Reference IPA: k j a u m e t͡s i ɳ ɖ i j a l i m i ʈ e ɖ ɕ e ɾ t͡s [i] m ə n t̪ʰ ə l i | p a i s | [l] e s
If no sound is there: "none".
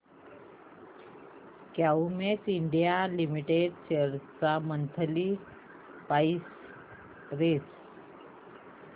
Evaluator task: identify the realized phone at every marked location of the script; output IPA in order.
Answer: a, ɾ

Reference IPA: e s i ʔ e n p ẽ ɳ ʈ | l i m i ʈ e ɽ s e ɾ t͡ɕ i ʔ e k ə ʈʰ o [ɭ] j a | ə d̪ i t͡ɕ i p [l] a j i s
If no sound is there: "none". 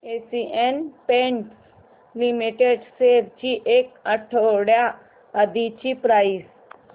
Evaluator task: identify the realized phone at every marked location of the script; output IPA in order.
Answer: ɽ, ɾ

